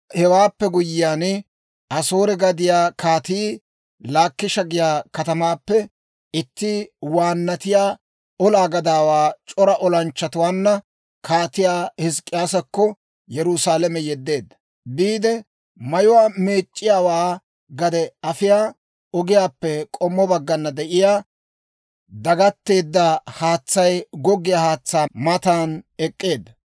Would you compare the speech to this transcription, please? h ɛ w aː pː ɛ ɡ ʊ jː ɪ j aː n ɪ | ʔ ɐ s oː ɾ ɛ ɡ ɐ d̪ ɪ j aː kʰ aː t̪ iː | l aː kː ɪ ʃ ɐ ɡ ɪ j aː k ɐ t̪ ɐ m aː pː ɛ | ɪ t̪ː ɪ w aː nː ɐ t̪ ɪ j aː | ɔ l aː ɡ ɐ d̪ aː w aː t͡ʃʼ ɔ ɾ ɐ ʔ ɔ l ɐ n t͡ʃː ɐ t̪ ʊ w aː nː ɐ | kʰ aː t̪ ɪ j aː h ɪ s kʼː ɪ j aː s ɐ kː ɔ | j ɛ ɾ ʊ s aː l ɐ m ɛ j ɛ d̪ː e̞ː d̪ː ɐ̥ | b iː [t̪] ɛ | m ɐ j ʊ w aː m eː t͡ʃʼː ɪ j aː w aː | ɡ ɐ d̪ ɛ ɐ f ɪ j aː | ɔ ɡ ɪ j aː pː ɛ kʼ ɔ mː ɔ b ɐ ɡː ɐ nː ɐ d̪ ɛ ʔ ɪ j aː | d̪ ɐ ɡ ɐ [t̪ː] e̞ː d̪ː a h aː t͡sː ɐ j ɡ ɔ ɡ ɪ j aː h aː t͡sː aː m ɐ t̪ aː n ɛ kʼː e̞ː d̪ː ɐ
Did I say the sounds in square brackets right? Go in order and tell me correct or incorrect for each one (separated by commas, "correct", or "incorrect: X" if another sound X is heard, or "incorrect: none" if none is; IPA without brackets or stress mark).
incorrect: d̪, correct